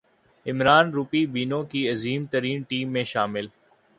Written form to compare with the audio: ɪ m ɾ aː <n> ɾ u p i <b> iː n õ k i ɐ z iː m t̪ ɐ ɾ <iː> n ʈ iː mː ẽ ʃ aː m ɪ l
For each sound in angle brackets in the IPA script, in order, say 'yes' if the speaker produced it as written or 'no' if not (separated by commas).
yes, yes, yes